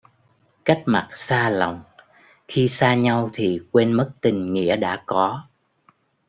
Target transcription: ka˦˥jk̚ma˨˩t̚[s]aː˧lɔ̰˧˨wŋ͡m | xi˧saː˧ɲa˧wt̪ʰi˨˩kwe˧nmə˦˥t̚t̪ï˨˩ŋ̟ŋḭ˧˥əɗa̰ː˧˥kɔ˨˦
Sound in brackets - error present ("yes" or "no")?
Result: no